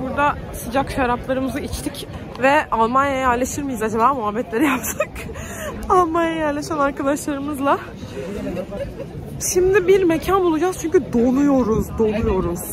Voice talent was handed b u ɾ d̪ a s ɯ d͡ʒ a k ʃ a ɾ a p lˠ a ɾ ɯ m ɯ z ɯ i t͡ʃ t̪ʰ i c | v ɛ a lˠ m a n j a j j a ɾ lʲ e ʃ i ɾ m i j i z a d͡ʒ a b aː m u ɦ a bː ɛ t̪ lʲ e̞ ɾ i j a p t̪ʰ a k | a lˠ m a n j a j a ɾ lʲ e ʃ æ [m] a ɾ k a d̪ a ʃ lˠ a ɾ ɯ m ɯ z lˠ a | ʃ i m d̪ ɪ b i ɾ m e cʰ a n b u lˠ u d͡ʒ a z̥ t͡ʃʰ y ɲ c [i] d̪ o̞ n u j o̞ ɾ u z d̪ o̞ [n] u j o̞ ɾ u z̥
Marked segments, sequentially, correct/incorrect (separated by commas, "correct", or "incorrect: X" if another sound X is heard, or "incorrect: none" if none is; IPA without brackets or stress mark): incorrect: n, incorrect: y, correct